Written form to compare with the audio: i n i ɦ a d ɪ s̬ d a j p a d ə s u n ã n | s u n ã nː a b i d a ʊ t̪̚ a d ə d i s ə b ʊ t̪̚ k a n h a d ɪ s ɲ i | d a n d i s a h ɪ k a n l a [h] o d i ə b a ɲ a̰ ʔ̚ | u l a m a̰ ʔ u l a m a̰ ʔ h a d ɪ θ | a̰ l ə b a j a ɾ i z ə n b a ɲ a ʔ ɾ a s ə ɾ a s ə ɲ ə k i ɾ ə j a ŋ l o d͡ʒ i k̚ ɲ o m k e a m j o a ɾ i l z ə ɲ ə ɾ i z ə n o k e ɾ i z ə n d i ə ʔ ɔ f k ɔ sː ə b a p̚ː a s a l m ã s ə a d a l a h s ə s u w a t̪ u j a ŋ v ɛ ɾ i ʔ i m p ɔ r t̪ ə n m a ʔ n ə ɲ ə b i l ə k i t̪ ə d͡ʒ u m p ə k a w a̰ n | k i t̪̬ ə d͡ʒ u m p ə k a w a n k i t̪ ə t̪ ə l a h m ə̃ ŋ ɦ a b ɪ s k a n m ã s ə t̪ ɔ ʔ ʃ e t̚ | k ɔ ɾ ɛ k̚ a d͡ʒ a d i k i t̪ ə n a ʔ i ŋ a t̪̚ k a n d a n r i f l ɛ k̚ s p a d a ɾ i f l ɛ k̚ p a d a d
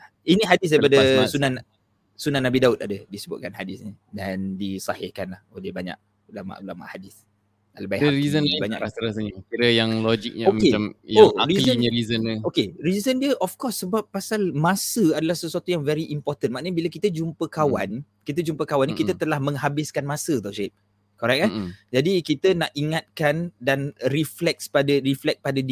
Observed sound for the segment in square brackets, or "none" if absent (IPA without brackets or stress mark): h